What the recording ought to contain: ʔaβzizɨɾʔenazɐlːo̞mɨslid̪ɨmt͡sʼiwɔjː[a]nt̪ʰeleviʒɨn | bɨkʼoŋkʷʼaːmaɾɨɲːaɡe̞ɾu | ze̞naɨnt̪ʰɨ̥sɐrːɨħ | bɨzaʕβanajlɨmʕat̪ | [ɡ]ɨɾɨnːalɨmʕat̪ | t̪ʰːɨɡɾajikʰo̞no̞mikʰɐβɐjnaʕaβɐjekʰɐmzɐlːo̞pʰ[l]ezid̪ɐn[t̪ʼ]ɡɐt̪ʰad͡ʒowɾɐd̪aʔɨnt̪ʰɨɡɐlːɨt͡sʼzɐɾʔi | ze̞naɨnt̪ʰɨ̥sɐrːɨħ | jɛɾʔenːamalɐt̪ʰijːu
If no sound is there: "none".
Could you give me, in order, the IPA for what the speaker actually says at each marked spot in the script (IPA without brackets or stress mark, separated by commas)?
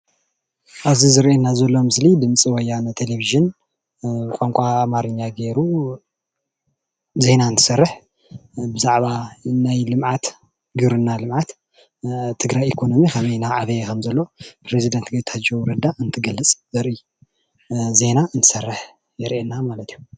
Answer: a, ɡ, ɾ, t̪